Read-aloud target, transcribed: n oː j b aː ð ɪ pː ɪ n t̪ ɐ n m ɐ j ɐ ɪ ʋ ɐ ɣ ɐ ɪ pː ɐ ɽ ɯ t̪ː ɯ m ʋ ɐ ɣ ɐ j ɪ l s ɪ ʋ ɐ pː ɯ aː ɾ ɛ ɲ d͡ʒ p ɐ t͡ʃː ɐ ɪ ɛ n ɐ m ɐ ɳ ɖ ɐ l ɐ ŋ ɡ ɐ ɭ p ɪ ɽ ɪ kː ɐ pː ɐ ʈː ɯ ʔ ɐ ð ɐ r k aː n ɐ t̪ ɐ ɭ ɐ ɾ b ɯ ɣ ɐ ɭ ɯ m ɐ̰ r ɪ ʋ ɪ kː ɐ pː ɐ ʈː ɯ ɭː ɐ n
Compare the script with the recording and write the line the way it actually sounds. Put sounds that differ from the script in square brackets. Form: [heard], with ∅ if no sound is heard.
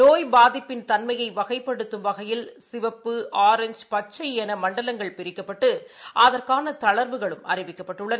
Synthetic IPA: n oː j b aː ð ɪ pː ɪ n t̪ ɐ n m ɐ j ɐ ɪ ʋ ɐ ɣ ɐ ɪ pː ɐ ɽ ɯ t̪ː ɯ m ʋ ɐ ɣ ɐ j ɪ l s ɪ ʋ ɐ pː ɯ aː ɾ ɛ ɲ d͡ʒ p ɐ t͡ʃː ɐ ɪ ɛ n ɐ m ɐ ɳ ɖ ɐ l ɐ ŋ ɡ ɐ ɭ p ɪ [ɾ] ɪ kː ɐ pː ɐ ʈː ɯ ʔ ɐ ð ɐ r k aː n ɐ t̪ ɐ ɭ ɐ ɾ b ɯ ɣ ɐ ɭ ɯ m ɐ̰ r ɪ ʋ ɪ kː ɐ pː ɐ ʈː ɯ ɭː ɐ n